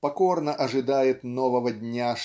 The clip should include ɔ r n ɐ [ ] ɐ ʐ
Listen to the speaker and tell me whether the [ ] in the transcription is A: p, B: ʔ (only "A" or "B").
B